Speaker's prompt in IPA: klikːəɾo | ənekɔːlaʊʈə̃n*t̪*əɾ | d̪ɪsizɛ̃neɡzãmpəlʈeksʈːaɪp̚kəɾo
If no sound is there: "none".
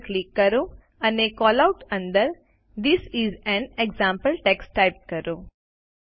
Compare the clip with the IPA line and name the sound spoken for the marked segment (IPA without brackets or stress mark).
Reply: d̪